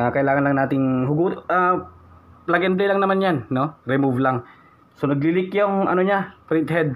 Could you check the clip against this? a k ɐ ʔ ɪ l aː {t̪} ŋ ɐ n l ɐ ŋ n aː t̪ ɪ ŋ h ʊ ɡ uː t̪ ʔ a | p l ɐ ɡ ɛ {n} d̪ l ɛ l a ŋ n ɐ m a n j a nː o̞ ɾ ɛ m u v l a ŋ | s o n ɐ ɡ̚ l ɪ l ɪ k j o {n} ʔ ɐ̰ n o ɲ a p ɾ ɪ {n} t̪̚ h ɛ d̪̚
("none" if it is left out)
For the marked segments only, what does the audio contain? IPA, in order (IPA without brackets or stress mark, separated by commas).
none, n, ŋ, n